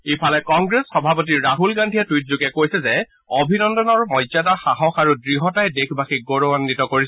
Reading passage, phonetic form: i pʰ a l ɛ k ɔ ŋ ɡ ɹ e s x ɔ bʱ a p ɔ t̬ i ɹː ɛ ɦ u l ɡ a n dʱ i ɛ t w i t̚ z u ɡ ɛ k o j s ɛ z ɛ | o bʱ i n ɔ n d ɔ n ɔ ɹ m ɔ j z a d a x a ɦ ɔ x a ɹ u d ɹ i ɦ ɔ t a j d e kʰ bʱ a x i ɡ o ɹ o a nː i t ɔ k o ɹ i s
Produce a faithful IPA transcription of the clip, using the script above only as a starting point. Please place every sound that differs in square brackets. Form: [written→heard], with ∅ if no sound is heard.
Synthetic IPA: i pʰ a l ɛ k ɔ ŋ ɡ ɹ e s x ɔ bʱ a p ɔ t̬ i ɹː [ɛ→a] ɦ u l ɡ a n dʱ i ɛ t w i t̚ z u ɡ ɛ k o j s ɛ z ɛ | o bʱ i n ɔ n d ɔ n ɔ ɹ m ɔ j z a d a x a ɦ ɔ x a ɹ u d ɹ i ɦ ɔ t a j d e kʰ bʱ a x i ɡ o ɹ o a nː i t ɔ k o ɹ i s